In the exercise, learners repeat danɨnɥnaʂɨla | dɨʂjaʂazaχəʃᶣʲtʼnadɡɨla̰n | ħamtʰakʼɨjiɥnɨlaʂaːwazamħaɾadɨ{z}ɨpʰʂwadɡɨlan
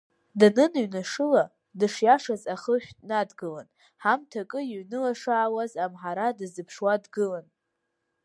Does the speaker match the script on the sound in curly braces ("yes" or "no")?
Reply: yes